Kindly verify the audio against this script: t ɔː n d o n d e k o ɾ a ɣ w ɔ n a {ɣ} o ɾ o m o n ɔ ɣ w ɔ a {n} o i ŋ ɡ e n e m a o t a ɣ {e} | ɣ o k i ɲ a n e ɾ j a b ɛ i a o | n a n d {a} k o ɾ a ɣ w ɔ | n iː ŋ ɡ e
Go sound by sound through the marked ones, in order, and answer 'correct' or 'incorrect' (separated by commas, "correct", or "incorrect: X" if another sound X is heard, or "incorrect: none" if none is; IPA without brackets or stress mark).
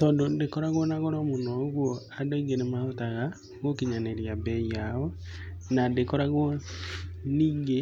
correct, incorrect: d, incorrect: a, incorrect: e